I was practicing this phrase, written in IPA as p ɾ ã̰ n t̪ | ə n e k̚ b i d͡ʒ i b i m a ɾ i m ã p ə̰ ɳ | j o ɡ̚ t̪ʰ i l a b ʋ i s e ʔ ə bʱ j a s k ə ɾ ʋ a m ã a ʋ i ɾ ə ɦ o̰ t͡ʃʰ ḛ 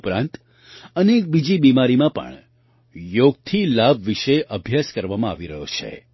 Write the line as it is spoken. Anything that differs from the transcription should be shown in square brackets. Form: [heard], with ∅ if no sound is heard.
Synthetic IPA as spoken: p ɾ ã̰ n t̪ | ə n e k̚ b i d͡ʒ i b i m a ɾ i m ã p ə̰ ɳ | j o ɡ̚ t̪ʰ i l a b ʋ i [ʃ] e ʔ ə bʱ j a s k ə ɾ ʋ a m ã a ʋ i ɾ ə ɦ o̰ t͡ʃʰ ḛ